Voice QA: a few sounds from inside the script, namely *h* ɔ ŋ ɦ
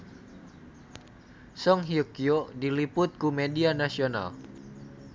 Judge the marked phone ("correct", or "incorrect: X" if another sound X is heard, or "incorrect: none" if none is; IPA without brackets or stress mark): incorrect: s